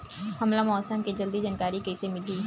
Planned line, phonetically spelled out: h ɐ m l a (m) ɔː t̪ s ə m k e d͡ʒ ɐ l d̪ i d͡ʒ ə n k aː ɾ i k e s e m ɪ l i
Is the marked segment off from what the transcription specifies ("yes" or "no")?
no